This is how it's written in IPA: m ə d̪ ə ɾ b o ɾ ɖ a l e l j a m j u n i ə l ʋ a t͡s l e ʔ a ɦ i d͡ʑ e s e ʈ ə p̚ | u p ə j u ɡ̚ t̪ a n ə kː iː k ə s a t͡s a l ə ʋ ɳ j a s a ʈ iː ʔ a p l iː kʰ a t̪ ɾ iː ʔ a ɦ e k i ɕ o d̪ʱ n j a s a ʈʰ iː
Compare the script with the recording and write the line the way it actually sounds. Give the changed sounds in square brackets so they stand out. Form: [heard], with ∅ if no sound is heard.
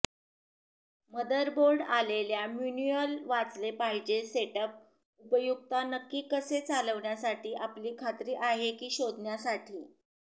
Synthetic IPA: m ə d̪ ə ɾ b o ɾ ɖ a l e l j a m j u n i ə l ʋ a t͡s l e [p] a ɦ i d͡ʑ e s e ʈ ə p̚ | u p ə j u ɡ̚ t̪ a n ə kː iː k ə s [e] t͡s a l ə ʋ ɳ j a s a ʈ iː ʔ a p l iː kʰ a t̪ ɾ iː ʔ a ɦ e k [iː] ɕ o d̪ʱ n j a s a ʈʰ iː